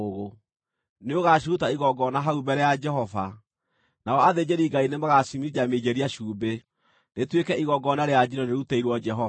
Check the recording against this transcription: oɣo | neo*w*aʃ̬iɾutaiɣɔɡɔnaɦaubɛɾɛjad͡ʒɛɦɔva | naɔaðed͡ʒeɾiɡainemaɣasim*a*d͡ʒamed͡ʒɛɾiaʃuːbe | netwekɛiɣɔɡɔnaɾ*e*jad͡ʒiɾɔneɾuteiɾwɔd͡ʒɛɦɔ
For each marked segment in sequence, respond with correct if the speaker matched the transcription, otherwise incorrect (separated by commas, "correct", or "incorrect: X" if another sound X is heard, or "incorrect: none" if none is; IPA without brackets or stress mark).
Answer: incorrect: ɣ, incorrect: i, correct